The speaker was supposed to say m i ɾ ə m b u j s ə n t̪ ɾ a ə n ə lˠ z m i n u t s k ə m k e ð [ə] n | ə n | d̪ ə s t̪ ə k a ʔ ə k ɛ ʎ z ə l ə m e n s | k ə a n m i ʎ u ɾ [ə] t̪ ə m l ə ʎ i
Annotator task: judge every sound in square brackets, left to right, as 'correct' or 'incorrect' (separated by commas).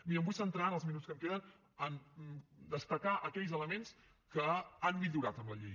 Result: correct, incorrect